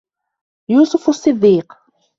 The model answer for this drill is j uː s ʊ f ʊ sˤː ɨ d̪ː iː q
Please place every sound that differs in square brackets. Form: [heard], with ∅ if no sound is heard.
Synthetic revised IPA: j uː s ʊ f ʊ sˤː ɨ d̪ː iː q